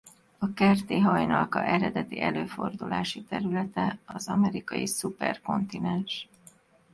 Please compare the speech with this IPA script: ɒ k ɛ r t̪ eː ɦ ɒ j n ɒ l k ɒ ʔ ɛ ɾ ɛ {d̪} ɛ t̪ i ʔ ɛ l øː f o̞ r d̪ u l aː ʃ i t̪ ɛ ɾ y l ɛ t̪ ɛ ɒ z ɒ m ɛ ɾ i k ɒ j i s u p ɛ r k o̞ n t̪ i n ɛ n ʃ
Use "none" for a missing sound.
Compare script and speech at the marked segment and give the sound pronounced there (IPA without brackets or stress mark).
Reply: d̪